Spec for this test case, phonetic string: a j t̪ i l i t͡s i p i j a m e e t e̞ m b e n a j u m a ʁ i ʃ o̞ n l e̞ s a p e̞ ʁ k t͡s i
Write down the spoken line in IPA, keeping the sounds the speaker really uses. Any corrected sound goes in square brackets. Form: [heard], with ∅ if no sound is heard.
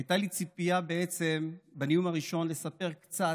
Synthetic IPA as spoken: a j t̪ [a] l i t͡s i p i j a [b] e e [t͡s] e̞ m b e n [i] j u m a ʁ i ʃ o̞ n l e̞ s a p e̞ ʁ k t͡s [a]